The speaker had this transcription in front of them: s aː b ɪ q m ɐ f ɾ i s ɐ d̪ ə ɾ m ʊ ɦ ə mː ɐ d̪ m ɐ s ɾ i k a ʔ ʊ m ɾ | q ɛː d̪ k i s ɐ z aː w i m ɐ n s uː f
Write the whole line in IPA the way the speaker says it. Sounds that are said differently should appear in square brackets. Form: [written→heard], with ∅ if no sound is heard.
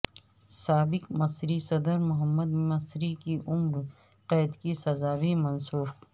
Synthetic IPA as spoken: s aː b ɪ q m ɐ [f→s] ɾ i s ɐ d̪ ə ɾ m ʊ ɦ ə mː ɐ d̪ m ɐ s ɾ i k [a→i] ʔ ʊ m ɾ | q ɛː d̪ k i s ɐ z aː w i m ɐ n s uː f